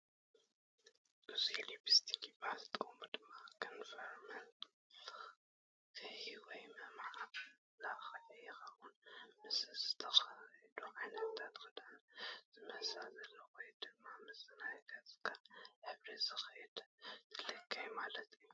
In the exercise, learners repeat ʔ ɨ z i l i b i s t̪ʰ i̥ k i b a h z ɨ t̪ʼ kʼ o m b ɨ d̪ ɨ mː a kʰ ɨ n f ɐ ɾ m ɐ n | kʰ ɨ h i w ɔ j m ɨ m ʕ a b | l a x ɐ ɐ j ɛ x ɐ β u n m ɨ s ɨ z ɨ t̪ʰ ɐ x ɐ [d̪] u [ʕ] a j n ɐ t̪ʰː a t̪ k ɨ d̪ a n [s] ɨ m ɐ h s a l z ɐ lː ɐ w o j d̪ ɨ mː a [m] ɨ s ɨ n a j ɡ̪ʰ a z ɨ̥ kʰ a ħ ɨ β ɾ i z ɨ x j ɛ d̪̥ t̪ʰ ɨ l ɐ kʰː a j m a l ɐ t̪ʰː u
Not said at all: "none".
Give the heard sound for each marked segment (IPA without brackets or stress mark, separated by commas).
d̪, ʕ, z, m